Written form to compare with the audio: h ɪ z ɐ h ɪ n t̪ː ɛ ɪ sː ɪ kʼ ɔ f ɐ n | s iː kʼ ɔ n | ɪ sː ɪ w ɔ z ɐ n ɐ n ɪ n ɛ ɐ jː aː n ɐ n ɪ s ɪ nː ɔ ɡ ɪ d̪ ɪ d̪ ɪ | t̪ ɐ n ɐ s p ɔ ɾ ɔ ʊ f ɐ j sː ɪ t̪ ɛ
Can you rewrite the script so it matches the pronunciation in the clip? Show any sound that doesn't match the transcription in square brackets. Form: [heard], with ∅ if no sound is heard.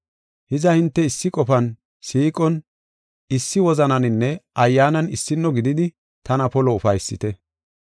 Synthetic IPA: h ɪ z ɐ h ɪ n t̪ː ɛ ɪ sː ɪ kʼ ɔ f ɐ n | s iː kʼ ɔ n | ɪ sː ɪ w ɔ z ɐ n ɐ n ɪ [nː] ɛ ɐ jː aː n ɐ n ɪ [sː] ɪ nː ɔ ɡ ɪ d̪ ɪ d̪ ɪ | t̪ ɐ n ɐ [∅] p ɔ [l] ɔ ʊ f ɐ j sː ɪ t̪ ɛ